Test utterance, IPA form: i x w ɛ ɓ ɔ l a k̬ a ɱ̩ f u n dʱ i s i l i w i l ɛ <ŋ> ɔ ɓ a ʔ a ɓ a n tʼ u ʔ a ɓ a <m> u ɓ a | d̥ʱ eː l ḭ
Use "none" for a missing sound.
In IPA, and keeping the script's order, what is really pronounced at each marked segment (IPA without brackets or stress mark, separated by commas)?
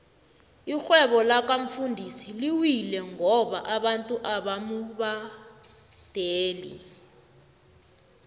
ŋ, m